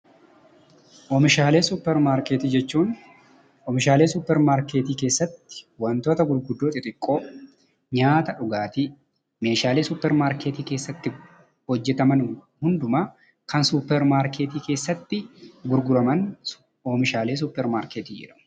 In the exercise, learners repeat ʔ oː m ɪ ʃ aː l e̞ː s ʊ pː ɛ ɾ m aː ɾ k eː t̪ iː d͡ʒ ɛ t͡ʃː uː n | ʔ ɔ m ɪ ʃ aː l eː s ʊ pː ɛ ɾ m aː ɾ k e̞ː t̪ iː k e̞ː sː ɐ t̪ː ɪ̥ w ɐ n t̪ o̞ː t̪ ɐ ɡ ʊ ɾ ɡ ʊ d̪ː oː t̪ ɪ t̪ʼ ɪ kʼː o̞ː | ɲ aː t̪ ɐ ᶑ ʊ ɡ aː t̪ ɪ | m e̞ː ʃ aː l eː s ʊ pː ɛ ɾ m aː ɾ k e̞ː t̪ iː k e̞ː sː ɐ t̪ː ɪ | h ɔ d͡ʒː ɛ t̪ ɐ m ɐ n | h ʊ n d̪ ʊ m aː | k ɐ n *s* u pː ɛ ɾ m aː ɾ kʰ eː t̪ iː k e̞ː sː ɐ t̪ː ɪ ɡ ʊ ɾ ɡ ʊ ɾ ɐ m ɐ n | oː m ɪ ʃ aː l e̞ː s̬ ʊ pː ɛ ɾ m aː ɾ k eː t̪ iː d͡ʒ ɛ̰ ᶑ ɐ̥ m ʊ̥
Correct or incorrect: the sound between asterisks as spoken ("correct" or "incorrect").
correct